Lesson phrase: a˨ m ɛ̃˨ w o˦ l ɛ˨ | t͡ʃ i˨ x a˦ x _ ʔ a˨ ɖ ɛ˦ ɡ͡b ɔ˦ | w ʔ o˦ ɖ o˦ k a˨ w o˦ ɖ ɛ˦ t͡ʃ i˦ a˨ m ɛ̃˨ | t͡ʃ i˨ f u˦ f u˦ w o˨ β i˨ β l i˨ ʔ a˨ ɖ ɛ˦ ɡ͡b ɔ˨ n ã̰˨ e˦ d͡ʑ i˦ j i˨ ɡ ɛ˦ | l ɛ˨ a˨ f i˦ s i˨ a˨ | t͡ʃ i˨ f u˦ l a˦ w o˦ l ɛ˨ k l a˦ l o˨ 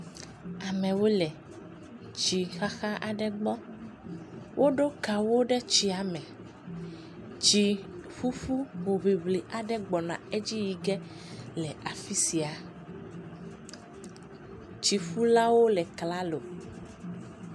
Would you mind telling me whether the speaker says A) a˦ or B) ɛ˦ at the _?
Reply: A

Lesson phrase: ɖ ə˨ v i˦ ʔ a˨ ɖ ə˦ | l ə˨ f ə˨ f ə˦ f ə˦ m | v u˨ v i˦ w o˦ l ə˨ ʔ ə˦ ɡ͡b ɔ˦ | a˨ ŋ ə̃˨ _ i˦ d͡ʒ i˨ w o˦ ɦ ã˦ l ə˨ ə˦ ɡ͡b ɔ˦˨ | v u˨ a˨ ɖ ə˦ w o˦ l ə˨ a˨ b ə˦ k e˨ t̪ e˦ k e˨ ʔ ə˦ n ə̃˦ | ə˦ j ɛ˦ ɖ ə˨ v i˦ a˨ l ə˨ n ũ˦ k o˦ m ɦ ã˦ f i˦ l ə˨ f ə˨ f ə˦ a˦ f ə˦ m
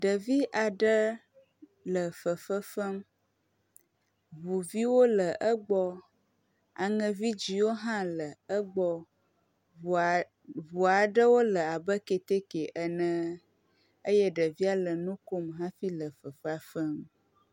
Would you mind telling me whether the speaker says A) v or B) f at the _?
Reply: A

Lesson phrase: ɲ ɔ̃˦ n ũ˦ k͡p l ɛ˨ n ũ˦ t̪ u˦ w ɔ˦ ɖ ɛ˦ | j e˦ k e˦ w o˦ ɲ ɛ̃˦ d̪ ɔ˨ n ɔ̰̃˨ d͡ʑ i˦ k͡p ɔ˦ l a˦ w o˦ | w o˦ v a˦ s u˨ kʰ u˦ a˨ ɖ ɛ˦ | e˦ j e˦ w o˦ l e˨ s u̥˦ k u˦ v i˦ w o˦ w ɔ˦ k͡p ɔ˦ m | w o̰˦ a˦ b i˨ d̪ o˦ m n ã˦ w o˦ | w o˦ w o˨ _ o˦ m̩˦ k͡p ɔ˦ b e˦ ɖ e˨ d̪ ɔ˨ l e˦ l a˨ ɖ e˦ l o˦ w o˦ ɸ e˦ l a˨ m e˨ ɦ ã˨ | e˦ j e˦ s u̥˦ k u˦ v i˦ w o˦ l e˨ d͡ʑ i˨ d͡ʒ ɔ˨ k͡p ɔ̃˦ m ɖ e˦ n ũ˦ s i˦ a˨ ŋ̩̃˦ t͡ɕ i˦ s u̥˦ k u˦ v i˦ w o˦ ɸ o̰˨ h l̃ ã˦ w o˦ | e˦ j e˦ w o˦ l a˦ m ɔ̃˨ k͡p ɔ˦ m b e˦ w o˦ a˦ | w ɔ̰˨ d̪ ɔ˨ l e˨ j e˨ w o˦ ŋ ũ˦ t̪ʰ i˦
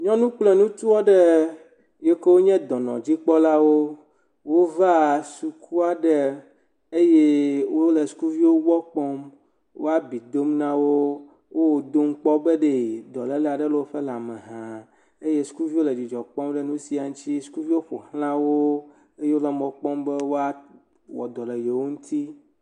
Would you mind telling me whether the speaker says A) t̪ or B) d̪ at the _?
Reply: B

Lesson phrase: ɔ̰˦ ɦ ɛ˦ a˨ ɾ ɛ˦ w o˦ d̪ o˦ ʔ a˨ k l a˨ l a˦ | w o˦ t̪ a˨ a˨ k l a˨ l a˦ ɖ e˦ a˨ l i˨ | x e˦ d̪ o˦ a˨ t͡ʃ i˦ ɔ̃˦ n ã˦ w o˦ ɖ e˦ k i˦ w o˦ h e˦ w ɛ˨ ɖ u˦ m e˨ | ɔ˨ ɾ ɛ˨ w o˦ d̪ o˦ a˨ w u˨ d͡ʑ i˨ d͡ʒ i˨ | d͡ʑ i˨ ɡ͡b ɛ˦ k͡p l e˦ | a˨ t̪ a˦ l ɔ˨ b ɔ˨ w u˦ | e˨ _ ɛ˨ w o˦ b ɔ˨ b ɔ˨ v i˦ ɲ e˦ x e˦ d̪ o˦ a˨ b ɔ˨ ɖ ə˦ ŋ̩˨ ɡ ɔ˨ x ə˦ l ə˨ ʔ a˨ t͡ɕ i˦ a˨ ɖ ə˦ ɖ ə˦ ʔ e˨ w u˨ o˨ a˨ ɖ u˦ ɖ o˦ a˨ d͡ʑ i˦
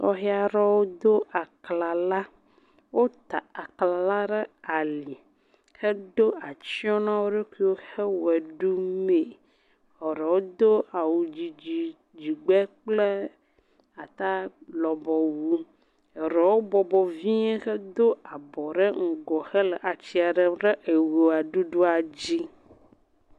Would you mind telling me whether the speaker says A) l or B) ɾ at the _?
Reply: B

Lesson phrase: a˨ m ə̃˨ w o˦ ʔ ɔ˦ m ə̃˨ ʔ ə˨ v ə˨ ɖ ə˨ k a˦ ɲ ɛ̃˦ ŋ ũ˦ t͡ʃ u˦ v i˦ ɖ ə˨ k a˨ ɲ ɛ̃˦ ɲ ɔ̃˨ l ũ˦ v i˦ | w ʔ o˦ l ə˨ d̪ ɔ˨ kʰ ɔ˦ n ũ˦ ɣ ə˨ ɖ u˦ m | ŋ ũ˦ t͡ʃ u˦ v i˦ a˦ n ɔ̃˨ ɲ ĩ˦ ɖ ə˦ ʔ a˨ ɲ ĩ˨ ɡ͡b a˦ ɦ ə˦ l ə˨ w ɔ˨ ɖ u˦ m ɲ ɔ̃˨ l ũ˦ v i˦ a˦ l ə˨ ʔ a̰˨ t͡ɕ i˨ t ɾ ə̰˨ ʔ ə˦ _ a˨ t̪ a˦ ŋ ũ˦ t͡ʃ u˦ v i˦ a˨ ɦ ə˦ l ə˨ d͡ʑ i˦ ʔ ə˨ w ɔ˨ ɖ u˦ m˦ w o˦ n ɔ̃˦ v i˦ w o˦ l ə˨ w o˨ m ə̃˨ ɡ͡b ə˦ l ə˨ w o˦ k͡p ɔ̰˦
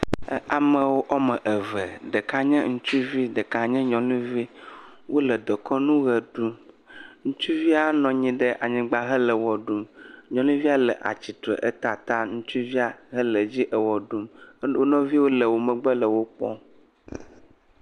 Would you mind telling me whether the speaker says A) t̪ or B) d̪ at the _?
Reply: A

